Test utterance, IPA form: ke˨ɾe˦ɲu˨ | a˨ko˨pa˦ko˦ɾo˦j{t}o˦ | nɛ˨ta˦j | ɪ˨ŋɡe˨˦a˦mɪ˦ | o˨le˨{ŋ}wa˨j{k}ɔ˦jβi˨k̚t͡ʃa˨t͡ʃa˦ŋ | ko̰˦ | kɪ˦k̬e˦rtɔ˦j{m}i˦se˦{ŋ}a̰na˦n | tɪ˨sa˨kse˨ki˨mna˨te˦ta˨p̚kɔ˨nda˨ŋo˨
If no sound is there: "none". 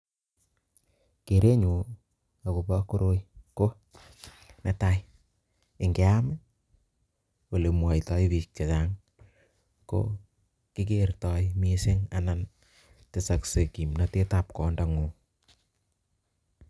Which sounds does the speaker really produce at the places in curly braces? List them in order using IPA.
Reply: k, m, t, m, ŋ

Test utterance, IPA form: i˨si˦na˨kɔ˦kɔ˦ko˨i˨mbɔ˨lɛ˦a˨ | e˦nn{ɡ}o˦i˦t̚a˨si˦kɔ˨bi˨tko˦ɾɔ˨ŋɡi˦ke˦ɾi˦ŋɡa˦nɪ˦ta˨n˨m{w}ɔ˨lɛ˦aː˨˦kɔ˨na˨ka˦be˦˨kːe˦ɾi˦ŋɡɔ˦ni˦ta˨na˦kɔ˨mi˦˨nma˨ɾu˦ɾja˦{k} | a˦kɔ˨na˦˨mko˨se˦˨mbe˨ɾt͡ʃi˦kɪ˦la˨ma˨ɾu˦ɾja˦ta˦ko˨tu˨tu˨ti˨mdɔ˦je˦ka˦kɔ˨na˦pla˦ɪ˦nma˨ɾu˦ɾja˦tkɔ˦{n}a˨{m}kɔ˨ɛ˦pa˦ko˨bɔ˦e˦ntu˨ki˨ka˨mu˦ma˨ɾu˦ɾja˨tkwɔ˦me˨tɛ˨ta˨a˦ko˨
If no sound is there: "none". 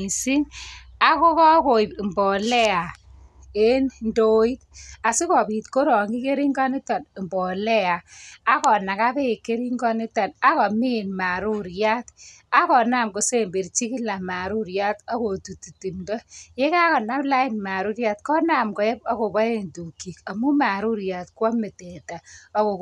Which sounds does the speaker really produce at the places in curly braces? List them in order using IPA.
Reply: d, b, t, n, m

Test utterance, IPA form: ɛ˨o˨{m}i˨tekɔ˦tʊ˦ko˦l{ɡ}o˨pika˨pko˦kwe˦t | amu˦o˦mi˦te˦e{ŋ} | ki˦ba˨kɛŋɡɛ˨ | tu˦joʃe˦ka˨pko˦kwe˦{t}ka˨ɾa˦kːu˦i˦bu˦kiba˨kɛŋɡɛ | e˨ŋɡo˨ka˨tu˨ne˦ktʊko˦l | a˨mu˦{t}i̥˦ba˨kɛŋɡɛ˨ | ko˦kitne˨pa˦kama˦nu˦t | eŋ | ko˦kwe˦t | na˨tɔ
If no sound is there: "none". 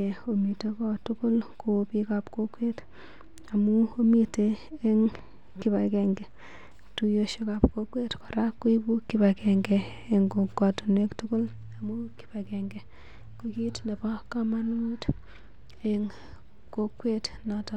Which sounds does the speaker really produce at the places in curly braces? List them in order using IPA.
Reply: m, k, ŋ, t, k

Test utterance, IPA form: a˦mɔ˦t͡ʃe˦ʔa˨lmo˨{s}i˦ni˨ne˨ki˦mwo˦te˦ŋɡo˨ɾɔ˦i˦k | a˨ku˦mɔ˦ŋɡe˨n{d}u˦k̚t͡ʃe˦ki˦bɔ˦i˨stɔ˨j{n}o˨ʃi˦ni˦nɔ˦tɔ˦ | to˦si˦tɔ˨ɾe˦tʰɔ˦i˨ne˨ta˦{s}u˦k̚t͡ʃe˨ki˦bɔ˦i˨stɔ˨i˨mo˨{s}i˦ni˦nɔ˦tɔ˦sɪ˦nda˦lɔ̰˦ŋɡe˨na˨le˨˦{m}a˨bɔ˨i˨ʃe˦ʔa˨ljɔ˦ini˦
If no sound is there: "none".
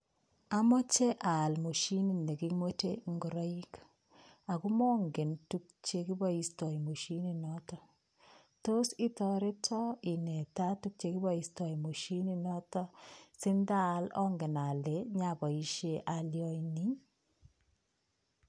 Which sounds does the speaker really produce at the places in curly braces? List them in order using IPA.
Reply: ʃ, t, m, t, ʃ, ɲ

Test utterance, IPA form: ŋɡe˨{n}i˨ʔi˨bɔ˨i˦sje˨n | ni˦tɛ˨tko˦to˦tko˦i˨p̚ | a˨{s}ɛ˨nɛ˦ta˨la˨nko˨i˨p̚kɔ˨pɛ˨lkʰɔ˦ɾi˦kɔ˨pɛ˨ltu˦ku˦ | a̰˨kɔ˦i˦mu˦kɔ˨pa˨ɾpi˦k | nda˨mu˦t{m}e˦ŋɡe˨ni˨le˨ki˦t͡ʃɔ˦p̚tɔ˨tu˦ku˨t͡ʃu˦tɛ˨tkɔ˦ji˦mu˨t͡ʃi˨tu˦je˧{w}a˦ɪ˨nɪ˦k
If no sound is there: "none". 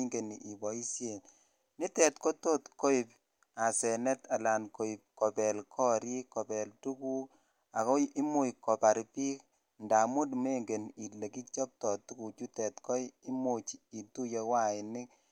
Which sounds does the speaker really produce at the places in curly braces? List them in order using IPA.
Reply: n, s, m, w

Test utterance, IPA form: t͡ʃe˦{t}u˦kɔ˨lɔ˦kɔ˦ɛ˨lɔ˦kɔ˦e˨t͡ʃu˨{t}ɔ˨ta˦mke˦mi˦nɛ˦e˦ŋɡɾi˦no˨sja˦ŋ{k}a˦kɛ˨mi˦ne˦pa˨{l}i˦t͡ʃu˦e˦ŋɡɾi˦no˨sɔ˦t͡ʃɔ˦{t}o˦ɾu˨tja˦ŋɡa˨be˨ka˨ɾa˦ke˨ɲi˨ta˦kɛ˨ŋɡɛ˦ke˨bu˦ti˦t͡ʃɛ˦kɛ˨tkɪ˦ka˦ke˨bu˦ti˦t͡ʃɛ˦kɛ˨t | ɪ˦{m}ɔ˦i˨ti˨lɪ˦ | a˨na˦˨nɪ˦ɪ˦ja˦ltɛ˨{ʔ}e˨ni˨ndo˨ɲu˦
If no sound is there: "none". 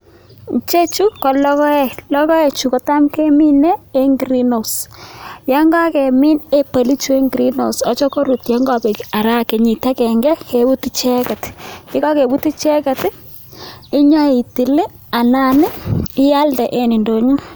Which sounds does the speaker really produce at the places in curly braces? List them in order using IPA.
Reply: t͡ʃ, k, ɡ, l, k, ɲ, ʔ

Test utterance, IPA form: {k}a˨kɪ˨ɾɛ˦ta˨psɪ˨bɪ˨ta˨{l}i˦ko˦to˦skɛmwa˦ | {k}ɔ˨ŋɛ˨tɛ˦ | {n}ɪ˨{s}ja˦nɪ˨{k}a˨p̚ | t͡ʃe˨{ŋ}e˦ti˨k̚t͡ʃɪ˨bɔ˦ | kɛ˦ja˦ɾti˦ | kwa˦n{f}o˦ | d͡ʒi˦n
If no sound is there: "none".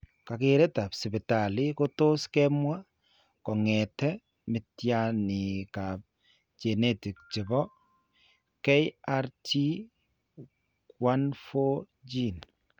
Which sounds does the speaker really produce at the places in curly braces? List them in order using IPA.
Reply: k, l, k, m, t, k, n, f

